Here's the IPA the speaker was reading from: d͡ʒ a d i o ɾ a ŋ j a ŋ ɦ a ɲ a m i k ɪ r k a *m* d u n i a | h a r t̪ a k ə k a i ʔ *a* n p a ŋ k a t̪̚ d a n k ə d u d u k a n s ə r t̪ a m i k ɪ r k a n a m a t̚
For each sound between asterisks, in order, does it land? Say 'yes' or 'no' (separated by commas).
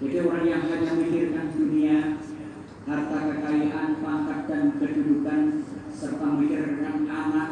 no, yes